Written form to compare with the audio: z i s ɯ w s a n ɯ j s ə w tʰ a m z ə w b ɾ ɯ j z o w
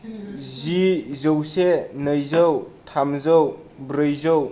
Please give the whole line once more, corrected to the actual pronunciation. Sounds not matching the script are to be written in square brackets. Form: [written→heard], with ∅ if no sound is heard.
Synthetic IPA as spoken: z i [s→z] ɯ w s [a→e] n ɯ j [s→z] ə w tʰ a m z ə w b ɾ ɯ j z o w